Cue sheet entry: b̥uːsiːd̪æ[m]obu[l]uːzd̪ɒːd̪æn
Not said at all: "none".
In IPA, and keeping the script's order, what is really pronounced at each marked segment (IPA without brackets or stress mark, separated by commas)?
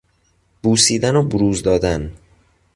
n, ɾ